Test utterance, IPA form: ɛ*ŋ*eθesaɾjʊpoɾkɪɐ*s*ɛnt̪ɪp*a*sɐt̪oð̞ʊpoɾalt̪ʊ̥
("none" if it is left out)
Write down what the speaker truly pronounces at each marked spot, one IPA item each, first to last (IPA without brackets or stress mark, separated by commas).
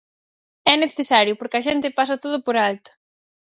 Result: n, ʃ, a